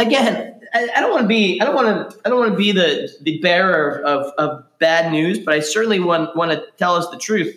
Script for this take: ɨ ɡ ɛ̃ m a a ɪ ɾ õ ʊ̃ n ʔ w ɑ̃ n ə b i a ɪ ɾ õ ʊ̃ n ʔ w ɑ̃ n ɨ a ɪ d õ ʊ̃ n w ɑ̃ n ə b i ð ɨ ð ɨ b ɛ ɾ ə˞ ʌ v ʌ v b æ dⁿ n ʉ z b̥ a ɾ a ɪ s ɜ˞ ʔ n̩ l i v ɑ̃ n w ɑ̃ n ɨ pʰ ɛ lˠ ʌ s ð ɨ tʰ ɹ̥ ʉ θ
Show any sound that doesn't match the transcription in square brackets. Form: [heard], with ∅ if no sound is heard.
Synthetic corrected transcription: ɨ ɡ ɛ̃ [n] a a ɪ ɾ õ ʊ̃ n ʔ w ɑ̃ n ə b i a ɪ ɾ õ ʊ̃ n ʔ w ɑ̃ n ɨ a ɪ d õ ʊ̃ n w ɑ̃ n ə b i ð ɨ ð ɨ b ɛ [ɹ] ə˞ ʌ v ʌ v b æ dⁿ n ʉ z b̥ [ʌ] ɾ a ɪ s ɜ˞ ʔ n̩ l i [w] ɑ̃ n w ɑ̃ n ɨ [tʰ] ɛ lˠ ʌ s ð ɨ tʰ ɹ̥ ʉ θ